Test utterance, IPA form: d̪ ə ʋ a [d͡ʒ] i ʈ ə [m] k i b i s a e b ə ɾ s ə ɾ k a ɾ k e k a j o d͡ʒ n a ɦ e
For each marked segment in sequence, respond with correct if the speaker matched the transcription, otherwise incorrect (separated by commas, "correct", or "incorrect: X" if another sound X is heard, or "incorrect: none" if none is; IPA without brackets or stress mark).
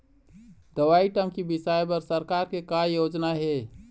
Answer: incorrect: none, correct